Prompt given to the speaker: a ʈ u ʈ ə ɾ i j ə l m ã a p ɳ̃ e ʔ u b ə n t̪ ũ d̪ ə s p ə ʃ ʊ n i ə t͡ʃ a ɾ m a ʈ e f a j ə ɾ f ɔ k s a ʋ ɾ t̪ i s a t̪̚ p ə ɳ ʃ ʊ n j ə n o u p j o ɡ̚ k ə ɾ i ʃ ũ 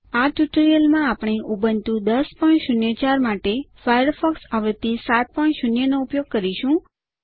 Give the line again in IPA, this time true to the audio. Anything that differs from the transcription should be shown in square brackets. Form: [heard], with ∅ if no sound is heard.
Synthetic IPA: a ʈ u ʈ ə ɾ i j ə l m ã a p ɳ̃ e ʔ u b ə n t̪ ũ d̪ ə s p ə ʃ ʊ n [j] ə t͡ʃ a ɾ m a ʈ e f a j ə ɾ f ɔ k s a ʋ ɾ t̪ i s a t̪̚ p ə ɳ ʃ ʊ n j ə n o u p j o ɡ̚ k ə ɾ i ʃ ũ